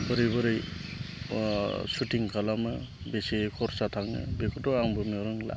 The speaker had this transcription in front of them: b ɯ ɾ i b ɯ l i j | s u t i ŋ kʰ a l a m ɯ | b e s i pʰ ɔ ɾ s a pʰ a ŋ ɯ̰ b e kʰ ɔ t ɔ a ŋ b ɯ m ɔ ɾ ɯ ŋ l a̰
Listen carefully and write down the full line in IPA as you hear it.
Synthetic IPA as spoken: b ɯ ɾ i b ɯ ɾ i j | s u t i ŋ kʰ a l a m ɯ | b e s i kʰ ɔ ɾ s a tʰ a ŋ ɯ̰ b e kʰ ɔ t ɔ a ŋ b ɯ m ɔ ɾ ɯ ŋ l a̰